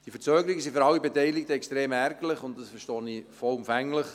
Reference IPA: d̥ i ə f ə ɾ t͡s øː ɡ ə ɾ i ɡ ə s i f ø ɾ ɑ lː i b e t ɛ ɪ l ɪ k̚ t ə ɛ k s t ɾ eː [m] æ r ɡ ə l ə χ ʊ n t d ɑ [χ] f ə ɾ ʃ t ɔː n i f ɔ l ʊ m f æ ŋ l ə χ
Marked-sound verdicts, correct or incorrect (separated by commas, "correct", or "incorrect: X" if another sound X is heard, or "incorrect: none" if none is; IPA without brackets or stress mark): correct, incorrect: s